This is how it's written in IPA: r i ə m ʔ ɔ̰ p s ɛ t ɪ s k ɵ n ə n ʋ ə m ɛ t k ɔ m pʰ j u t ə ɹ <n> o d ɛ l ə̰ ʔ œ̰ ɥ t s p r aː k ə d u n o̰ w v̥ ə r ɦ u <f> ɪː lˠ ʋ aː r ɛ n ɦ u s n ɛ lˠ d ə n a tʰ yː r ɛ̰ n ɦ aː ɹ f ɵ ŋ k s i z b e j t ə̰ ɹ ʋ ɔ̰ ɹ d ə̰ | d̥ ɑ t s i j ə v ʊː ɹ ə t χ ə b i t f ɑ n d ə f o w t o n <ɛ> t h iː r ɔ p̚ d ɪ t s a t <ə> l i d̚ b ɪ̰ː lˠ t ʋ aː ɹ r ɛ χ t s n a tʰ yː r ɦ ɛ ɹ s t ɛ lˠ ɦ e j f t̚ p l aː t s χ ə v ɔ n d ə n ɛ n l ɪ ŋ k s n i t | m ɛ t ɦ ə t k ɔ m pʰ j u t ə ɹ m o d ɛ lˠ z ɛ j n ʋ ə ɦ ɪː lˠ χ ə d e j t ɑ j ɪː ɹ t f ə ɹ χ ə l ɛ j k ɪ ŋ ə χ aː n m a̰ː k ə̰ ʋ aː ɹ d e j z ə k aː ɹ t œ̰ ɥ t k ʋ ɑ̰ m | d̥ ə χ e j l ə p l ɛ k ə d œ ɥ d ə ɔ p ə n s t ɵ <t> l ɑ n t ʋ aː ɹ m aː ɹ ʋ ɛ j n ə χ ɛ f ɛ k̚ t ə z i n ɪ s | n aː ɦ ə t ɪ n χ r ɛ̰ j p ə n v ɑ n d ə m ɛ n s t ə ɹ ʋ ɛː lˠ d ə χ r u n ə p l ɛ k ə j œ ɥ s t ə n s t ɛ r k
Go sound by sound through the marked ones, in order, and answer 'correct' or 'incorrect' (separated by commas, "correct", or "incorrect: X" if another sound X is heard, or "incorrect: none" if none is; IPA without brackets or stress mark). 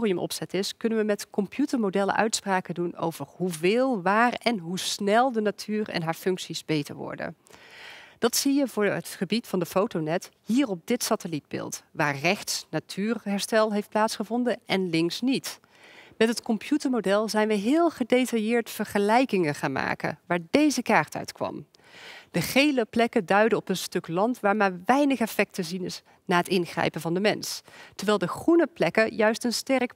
incorrect: m, incorrect: v, correct, correct, incorrect: k